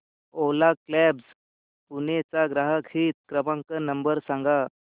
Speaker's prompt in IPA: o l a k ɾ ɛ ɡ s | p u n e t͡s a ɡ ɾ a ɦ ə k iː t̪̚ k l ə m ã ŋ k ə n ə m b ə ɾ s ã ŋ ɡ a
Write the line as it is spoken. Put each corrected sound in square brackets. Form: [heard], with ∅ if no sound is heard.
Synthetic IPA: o l a k [l] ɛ [b] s | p u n e t͡s a ɡ ɾ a ɦ ə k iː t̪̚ k [ɾ] ə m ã ŋ k ə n ə m b ə ɾ s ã ŋ ɡ a